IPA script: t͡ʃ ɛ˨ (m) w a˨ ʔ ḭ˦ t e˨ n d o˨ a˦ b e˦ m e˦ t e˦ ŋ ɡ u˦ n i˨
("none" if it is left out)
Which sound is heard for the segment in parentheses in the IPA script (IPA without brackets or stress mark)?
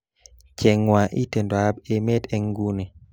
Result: ŋ